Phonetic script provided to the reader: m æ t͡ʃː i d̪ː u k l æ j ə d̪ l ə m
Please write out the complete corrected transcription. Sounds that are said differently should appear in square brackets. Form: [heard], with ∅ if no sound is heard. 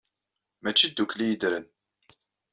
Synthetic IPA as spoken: m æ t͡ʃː i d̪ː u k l [i] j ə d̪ [ɾ] ə [n]

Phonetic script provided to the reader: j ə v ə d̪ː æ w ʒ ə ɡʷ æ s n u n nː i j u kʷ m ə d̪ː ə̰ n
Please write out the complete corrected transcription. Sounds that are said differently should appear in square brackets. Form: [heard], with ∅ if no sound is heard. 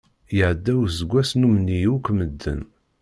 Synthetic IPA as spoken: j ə [ʕ] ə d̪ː æ w [z] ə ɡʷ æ s n u [m] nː i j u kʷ m ə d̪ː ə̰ n

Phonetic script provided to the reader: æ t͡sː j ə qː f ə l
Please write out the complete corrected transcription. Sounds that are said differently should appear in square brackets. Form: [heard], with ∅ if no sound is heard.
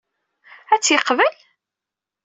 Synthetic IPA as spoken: æ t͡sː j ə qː [v] ə l

